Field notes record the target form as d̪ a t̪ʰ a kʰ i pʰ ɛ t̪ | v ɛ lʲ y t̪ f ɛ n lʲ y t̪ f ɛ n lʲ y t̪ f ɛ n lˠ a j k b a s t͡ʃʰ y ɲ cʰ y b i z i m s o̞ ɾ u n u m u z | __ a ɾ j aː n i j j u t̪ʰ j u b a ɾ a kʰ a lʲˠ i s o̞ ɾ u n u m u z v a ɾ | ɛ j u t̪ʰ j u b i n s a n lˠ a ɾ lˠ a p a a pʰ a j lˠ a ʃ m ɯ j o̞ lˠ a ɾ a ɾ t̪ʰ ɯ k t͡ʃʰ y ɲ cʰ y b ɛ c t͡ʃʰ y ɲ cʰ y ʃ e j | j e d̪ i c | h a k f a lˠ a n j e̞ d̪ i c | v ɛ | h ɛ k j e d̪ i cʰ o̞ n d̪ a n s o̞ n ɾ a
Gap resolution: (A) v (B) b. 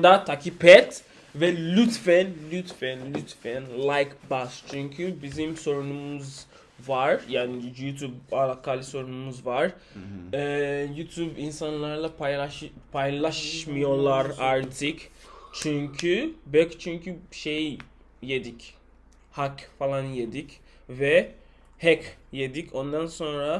A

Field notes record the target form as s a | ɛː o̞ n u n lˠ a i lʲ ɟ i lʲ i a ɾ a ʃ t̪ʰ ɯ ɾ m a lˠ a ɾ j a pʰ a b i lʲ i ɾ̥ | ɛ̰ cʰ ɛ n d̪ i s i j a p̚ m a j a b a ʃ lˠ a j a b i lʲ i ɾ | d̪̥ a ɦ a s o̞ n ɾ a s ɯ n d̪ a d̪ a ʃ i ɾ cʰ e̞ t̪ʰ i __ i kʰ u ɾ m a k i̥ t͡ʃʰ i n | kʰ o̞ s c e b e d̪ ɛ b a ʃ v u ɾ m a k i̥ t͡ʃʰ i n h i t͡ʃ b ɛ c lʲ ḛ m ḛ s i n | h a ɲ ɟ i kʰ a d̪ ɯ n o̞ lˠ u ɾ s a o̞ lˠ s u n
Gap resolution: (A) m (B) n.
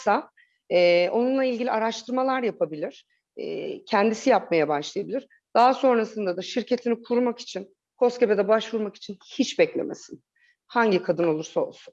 B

